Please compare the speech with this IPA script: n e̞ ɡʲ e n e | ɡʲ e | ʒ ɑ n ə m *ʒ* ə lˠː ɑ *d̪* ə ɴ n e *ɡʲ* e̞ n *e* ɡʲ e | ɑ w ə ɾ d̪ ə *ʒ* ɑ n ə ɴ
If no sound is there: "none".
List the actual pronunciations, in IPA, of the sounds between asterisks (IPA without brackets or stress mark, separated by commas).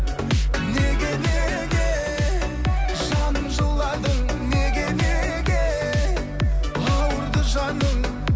ʒ, d̪, ɡʲ, e, ʒ